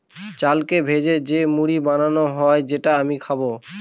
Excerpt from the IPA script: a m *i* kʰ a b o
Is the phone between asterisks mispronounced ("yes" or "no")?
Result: no